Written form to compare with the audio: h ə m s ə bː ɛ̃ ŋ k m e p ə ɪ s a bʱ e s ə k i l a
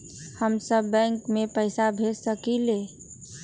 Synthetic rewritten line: h ə m s ə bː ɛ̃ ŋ k m e p ə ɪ s a bʱ e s ə k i l e